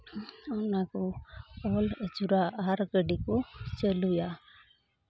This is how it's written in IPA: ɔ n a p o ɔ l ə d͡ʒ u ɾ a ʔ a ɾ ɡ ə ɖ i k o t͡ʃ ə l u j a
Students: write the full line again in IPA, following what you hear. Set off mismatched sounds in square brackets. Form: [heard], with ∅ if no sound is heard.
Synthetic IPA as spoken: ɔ n a [k] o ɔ l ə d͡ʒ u ɾ a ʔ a ɾ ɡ ə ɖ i k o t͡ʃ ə l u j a